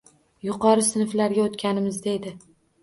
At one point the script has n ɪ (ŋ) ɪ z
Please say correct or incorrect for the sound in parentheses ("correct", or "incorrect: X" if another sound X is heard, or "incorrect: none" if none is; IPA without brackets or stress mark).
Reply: incorrect: m